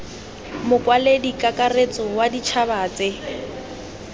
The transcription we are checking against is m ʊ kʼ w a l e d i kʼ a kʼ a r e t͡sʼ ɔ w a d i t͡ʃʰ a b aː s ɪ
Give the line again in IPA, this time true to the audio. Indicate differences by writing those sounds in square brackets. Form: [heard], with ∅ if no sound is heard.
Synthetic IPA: m ʊ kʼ w a l e d i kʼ a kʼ a r e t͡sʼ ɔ w a d i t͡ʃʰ a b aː [t͡s] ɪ